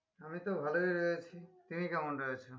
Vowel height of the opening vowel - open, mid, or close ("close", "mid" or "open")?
open